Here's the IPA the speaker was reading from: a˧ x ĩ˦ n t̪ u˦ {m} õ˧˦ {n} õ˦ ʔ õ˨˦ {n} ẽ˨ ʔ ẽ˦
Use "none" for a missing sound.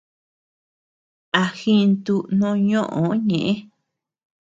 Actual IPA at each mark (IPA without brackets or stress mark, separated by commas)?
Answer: n, ɲ, ɲ